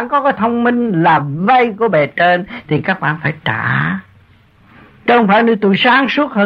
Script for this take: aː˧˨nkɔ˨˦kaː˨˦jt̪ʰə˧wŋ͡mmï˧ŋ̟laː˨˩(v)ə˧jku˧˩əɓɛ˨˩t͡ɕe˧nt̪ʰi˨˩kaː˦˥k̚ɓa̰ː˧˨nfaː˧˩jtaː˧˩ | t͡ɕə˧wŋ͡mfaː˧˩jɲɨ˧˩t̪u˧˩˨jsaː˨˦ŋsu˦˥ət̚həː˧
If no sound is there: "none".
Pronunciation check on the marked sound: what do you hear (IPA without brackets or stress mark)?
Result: v